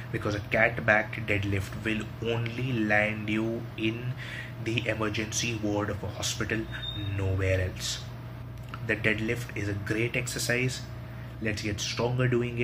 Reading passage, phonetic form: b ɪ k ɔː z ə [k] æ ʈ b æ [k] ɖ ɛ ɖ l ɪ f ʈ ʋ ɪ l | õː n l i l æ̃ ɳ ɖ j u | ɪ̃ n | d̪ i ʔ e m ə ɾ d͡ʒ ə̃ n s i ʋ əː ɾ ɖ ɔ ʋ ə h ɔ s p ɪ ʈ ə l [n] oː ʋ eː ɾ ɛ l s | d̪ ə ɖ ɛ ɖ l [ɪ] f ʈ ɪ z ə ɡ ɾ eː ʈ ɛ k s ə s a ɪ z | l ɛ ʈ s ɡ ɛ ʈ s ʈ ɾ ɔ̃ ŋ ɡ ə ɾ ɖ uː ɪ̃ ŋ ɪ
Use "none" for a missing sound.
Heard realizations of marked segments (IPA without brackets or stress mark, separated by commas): k, k, n, ɪ